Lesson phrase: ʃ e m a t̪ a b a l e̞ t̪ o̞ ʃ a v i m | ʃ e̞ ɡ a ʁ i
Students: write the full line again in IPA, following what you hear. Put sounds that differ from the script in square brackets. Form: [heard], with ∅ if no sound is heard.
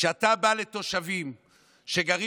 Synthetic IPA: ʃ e [∅] a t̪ a b a l e̞ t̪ o̞ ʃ a v i m | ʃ e̞ ɡ a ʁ i